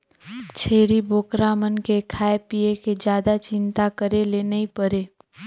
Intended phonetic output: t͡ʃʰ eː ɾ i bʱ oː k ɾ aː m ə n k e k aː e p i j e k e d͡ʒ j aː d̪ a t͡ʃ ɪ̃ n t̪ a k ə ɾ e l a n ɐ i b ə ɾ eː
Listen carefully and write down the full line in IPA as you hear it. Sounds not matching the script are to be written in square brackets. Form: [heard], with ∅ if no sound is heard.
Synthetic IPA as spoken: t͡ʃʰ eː ɾ i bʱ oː k ɾ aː m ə n k e [kʰ] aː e p i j e k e d͡ʒ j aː d̪ a t͡ʃ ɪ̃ n t̪ a k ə ɾ e l [e] n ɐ i [p] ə ɾ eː